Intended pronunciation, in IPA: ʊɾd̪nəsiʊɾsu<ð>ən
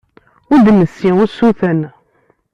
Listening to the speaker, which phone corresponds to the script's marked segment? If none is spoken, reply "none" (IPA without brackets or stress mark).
θ